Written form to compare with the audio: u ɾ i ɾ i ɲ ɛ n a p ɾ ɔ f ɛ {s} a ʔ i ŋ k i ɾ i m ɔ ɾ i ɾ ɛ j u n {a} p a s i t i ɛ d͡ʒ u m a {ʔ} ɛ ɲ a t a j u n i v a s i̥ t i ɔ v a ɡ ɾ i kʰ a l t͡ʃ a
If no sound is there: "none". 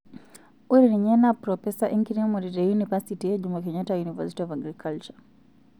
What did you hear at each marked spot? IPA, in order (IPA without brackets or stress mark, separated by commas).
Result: s, i, k